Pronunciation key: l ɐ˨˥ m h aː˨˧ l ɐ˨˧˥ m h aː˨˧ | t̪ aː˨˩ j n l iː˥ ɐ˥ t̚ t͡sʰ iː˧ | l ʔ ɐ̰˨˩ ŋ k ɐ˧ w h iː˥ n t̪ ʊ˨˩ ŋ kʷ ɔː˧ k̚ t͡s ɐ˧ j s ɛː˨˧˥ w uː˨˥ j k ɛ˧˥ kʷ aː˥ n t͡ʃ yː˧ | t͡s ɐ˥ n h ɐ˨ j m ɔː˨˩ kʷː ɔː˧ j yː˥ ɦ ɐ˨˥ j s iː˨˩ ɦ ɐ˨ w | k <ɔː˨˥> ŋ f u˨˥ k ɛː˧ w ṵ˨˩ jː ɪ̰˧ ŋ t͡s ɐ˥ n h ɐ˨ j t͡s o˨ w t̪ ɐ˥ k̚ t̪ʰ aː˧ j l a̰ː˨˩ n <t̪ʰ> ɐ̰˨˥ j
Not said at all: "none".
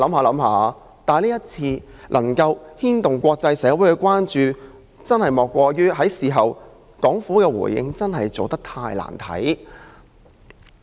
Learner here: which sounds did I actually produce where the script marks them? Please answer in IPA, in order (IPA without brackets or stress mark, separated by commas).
ɔː˨˥, t̪ʰ